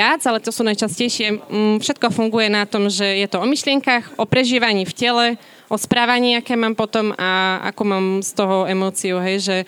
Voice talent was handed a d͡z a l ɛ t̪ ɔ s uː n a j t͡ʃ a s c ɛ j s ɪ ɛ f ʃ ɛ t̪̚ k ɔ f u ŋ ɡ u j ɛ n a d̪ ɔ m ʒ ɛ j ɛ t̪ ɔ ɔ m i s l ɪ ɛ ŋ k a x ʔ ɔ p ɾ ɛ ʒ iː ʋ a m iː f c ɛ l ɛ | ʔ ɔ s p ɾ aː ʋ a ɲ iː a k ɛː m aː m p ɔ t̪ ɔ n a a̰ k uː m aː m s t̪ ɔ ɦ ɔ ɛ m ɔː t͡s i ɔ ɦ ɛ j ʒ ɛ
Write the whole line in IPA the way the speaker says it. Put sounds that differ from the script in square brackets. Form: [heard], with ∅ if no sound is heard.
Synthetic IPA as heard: a d͡z a l ɛ t̪ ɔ s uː n a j t͡ʃ a s c ɛ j [ʃ] ɪ ɛ f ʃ ɛ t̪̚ k ɔ f u ŋ ɡ u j ɛ n a [t̪] ɔ m ʒ ɛ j ɛ t̪ ɔ ɔ m i [ʃ] l ɪ ɛ ŋ k a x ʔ ɔ p ɾ ɛ ʒ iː ʋ a [ɲ] iː f c ɛ l ɛ | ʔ ɔ s p ɾ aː ʋ a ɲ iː a k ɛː m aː m p ɔ t̪ ɔ [m] a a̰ k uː m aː m s t̪ ɔ ɦ ɔ ɛ m ɔː t͡s i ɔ ɦ ɛ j ʒ ɛ